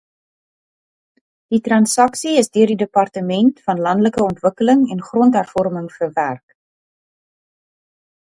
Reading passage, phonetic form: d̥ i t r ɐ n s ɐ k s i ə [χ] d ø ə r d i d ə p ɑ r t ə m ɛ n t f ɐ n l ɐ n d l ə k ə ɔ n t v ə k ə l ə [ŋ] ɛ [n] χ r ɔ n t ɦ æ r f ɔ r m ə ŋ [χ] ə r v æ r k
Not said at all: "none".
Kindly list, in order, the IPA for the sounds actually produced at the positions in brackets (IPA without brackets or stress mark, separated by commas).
s, ŋ, n, f